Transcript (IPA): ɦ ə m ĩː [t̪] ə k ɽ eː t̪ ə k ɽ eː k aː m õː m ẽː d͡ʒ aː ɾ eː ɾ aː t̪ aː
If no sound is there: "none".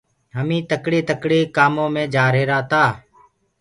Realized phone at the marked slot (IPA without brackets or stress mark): t̪